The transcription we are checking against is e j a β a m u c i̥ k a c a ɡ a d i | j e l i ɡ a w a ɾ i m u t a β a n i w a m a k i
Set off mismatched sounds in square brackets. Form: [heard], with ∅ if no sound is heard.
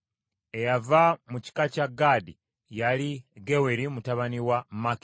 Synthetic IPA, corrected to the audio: e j a [v] a m u c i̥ k a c a ɡ a d i | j [a] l i ɡ [e] w [e] ɾ i m u t a β a n i w a m a k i